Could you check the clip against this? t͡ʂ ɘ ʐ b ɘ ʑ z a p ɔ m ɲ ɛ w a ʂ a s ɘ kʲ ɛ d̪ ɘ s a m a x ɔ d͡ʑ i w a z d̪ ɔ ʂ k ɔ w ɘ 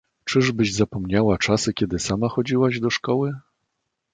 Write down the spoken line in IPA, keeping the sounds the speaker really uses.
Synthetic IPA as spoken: t͡ʂ ɘ ʐ b ɘ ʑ z a p ɔ m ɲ a w a t͡ʂ a s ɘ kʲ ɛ d̪ ɘ s a m a x ɔ d͡ʑ i w a ʑ d̪ ɔ ʂ k ɔ w ɘ